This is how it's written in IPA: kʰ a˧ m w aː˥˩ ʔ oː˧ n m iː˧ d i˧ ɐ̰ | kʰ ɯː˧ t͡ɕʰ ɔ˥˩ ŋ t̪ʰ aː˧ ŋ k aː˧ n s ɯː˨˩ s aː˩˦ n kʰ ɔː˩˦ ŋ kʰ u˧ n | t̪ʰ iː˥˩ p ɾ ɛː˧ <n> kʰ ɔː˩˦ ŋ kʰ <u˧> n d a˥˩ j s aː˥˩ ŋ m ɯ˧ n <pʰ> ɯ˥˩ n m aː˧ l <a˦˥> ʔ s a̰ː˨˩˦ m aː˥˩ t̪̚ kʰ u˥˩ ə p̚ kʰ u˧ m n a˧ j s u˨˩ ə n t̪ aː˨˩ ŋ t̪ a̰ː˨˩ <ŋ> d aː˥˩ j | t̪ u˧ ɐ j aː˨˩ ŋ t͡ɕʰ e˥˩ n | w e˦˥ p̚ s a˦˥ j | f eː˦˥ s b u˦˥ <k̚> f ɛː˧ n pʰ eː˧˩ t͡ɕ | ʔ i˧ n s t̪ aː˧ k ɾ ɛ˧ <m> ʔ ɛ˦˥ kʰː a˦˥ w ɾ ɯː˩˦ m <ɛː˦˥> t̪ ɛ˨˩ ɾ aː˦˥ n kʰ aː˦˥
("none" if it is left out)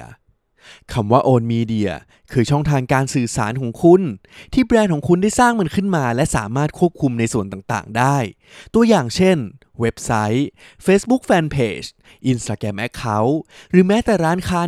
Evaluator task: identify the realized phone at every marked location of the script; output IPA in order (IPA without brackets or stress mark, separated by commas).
n, u˧, kʰ, ɛ˦˥, ŋ, k̚, m, ɛː˦˥